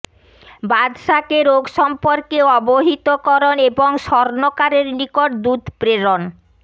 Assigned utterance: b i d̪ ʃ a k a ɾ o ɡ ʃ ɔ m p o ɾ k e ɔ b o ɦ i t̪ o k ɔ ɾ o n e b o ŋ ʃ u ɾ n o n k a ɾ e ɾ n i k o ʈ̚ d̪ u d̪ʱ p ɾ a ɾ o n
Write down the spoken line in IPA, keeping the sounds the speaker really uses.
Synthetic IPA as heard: b a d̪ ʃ a k e ɾ o ɡ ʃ ɔ m p o ɾ k e ɔ b o ɦ i t̪ o k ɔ ɾ o n e b o ŋ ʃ ɔ ɾ n o k a ɾ e ɾ n i k o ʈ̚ d̪ u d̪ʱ p ɾ e ɾ o n